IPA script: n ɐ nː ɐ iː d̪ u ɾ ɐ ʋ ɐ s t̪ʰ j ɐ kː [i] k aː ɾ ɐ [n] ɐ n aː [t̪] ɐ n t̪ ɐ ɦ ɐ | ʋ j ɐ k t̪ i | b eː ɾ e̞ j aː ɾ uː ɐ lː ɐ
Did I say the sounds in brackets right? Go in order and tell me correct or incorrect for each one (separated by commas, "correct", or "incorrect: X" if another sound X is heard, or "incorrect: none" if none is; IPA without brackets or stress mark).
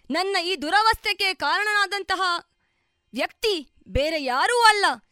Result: incorrect: e, incorrect: ɳ, incorrect: d̪